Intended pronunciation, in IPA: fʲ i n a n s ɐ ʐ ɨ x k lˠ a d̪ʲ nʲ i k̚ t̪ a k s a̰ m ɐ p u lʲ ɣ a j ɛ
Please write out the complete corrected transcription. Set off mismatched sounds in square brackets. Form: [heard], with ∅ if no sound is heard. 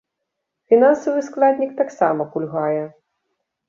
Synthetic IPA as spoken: fʲ i n a n s ɐ [v] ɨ [s] k lˠ a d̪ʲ nʲ i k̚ t̪ a k s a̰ m ɐ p u lʲ ɣ a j ɛ